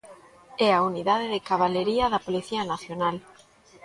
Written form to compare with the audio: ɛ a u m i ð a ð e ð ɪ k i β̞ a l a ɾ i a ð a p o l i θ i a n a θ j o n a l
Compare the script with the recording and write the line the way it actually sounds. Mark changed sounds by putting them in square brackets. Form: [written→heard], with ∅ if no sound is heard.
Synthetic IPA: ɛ a u [m→n] i ð a ð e ð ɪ k [i→a] β̞ a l [a→e] ɾ i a ð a p o l i θ i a n a θ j o n a l